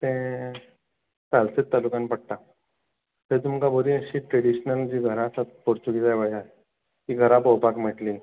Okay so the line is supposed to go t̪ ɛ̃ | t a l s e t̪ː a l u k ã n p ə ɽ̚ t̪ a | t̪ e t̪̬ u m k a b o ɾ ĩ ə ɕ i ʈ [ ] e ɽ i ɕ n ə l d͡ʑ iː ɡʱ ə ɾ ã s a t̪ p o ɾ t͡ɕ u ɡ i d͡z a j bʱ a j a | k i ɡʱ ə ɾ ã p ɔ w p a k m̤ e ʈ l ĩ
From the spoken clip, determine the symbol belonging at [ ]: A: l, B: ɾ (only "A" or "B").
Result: B